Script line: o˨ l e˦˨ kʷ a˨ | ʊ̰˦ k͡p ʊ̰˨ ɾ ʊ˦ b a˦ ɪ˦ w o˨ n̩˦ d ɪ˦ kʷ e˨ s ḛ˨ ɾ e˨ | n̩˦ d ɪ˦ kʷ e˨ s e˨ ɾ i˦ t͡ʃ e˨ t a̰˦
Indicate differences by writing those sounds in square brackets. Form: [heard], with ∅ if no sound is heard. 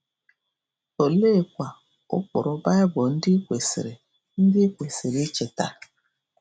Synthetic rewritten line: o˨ l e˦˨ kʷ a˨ | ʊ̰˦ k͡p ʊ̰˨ ɾ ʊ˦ b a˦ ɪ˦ [b] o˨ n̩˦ d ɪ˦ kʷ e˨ s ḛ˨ ɾ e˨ | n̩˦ d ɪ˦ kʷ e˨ s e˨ ɾ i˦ t͡ʃ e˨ t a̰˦